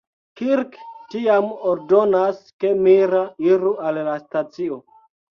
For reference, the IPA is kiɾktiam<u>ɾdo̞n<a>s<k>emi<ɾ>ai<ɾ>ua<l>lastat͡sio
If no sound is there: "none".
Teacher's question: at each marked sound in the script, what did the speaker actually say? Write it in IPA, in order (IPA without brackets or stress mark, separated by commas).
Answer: o, a, k, ɾ, ɾ, l